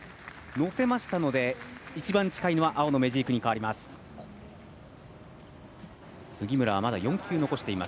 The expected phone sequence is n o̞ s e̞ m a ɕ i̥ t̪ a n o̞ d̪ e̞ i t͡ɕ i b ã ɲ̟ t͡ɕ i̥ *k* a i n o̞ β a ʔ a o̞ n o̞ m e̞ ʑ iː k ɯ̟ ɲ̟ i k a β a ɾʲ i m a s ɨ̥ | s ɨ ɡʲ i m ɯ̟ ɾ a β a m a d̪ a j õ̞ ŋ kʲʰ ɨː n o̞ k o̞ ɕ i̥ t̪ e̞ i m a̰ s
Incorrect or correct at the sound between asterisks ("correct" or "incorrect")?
correct